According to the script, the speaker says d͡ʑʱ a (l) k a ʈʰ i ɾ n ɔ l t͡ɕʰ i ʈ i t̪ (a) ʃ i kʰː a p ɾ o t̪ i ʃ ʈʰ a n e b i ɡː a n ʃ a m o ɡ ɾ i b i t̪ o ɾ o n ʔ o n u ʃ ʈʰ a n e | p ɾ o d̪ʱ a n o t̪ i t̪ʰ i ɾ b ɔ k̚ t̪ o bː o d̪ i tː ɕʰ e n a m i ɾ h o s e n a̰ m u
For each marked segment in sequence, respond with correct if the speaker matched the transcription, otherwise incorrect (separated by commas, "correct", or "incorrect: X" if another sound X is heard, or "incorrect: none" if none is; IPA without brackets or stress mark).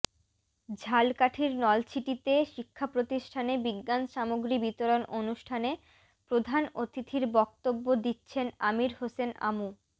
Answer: correct, incorrect: e